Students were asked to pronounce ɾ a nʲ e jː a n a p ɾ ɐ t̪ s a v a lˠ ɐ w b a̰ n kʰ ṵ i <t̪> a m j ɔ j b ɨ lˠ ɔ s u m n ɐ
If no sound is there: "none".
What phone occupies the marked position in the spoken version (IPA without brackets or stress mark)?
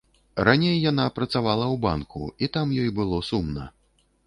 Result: t̪